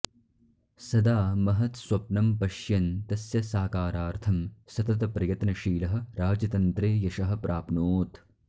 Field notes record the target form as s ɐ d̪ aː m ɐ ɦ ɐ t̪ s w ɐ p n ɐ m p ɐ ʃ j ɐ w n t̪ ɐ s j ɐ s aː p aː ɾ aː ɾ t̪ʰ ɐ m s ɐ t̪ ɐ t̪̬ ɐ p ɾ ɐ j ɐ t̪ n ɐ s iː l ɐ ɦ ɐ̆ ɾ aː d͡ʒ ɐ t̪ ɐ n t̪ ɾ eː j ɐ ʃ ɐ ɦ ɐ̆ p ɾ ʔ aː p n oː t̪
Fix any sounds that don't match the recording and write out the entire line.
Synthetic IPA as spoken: s ɐ d̪ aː m ɐ ɦ ɐ t̪ s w ɐ p n ɐ m p ɐ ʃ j ɐ n t̪ ɐ s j ɐ s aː k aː ɾ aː ɾ t̪ʰ ɐ m s ɐ t̪ ɐ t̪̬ ɐ p ɾ ɐ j ɐ t̪ n ɐ ʃ iː l ɐ ɦ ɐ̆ ɾ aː d͡ʒ ɐ t̪ ɐ n t̪ ɾ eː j ɐ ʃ ɐ ɦ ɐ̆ p ɾ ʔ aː p n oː t̪